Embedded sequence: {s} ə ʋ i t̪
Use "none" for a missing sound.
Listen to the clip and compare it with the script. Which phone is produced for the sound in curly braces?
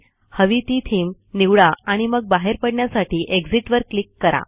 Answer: h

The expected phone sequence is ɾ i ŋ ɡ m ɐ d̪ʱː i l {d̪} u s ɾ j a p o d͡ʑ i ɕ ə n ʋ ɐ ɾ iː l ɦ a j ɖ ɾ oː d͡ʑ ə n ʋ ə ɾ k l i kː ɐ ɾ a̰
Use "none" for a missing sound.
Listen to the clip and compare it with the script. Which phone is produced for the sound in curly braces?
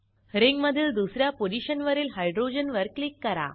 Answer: d̪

